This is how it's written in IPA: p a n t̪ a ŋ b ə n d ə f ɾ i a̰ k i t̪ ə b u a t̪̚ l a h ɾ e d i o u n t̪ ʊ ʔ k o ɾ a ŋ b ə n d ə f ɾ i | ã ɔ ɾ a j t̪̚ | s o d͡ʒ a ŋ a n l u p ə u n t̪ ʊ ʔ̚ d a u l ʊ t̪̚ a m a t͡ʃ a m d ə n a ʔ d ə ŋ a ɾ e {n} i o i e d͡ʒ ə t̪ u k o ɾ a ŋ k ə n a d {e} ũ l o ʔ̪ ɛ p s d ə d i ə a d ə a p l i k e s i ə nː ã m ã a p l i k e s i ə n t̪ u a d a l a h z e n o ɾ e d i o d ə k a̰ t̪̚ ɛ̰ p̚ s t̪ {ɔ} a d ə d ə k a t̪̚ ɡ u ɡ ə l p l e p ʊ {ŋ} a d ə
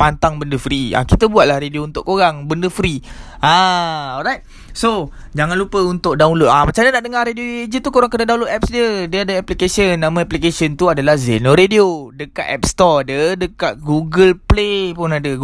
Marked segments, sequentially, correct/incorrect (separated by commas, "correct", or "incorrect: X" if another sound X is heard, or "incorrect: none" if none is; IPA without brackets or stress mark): incorrect: d, incorrect: a, correct, incorrect: n